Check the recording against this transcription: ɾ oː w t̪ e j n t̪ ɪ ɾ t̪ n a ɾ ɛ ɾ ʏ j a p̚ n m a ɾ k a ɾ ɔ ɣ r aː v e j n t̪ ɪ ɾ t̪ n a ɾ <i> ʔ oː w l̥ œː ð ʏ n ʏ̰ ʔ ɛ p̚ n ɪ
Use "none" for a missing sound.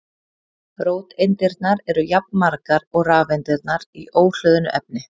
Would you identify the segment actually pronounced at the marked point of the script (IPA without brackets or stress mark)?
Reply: i